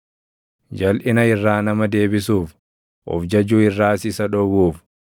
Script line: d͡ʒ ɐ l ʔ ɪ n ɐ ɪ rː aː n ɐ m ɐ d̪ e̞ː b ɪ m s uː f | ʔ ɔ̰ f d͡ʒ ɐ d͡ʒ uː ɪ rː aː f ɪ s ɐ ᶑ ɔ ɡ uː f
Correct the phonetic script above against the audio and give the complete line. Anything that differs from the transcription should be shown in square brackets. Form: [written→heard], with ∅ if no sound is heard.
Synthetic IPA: d͡ʒ ɐ l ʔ ɪ n ɐ ɪ rː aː n ɐ m ɐ d̪ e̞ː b ɪ [m→∅] s uː f | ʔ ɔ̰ f d͡ʒ ɐ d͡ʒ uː ɪ rː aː [f→s] ɪ s ɐ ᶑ ɔ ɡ uː f